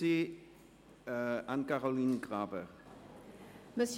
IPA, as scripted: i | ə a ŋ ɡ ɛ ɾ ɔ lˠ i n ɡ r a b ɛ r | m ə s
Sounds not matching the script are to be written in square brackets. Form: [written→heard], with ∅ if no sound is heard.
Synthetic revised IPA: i | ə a [ŋ→n] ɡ [ɛ→a] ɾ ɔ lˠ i n ɡ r a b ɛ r | m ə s